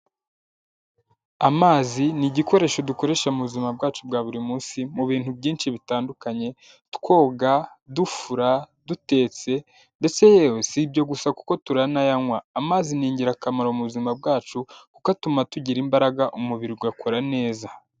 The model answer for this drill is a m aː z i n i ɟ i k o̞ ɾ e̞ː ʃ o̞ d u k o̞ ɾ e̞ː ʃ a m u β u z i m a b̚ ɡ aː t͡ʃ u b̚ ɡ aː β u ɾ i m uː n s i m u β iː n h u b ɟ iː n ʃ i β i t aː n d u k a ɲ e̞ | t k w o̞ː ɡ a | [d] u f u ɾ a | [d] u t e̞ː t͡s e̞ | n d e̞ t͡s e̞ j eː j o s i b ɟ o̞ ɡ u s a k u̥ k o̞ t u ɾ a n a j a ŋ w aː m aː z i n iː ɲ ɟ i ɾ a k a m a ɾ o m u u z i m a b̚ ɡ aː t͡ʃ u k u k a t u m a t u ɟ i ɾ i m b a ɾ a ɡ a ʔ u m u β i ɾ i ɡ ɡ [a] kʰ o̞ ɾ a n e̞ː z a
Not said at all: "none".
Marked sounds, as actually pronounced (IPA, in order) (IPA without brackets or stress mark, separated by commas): d, d, a